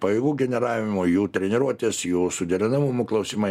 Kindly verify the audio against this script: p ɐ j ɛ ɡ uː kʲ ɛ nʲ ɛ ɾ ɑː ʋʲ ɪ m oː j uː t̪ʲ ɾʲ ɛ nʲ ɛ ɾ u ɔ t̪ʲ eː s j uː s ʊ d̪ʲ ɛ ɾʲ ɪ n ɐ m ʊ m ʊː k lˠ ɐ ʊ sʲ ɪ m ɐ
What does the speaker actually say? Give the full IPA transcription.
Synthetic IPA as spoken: p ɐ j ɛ ɡ uː ɡʲ ɛ nʲ ɛ ɾ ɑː ʋʲ ɪ m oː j uː t̪ʲ ɾʲ ɛ nʲ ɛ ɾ u ɔ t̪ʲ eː s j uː s ʊ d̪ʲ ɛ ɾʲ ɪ n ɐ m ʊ m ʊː k lˠ ɐ ʊ sʲ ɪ m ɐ